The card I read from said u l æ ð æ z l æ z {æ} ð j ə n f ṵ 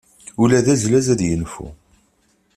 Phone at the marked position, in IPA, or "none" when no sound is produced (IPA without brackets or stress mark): æ